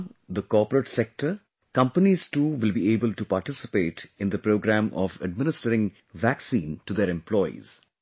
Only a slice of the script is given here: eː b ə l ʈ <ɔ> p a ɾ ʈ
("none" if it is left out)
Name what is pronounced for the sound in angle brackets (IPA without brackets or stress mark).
u